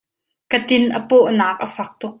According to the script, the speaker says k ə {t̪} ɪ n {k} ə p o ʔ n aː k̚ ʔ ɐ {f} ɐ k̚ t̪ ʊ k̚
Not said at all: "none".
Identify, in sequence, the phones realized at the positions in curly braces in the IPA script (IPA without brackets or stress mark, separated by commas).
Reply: t̪, ʔ, f